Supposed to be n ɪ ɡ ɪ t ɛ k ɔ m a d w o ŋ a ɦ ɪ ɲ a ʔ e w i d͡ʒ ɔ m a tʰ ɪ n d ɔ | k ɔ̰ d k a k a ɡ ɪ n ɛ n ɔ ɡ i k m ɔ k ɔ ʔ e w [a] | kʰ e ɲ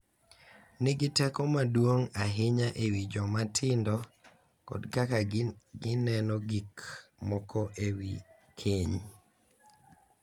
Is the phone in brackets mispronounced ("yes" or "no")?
yes